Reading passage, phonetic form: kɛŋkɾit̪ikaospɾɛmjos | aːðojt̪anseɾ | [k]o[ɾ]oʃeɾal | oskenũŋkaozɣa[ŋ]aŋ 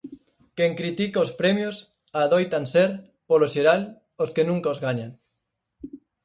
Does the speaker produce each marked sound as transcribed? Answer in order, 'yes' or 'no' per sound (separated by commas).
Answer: no, no, no